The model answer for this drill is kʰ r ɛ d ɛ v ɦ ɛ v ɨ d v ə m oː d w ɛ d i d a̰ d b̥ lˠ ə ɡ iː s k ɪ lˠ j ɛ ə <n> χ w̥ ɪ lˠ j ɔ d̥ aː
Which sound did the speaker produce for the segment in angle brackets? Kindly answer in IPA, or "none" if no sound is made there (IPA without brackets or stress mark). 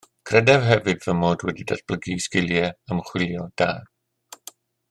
m